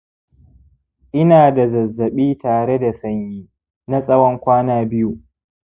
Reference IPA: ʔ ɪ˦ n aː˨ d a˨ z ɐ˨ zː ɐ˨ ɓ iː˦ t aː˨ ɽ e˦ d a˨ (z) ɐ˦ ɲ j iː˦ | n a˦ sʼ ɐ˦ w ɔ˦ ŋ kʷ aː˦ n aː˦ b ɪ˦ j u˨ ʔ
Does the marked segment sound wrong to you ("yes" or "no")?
yes